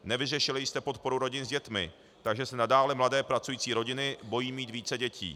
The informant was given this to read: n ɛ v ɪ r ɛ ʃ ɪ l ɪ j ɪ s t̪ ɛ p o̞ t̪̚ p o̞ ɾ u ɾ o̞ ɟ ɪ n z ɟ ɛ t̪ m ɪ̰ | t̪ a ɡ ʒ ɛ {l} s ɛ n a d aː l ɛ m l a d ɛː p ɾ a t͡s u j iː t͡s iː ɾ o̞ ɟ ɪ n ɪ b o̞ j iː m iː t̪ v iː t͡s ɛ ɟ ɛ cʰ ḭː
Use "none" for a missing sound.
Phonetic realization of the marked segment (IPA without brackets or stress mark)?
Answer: none